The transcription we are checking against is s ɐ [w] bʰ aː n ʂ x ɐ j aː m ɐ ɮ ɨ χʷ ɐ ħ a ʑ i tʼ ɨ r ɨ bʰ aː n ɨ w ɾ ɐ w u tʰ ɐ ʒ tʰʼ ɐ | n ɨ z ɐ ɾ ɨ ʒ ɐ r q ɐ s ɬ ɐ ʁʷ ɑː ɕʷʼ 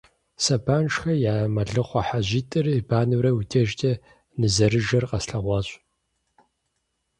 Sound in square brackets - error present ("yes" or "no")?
yes